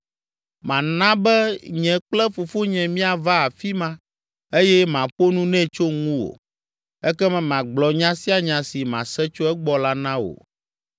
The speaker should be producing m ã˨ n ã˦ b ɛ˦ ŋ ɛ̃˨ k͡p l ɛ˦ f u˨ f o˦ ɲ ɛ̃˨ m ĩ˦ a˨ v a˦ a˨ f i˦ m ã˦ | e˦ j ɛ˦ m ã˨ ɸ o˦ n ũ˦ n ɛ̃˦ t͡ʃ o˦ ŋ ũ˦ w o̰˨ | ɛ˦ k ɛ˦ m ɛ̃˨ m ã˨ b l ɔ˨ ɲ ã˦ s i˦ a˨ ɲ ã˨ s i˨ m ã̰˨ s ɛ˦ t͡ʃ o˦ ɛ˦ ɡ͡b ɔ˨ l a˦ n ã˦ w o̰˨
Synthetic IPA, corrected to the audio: m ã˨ n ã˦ b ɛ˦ ɲ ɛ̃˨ k͡p l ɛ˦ f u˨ f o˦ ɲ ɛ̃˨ m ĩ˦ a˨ v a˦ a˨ f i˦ m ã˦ | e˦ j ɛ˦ m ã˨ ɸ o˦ n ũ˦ n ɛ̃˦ t͡ʃ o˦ ŋ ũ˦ w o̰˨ | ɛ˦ k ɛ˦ m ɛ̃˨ m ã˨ ɡ͡b l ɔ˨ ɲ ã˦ s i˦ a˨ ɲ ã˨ s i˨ m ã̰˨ s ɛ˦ t͡ʃ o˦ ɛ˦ ɡ͡b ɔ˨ l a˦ n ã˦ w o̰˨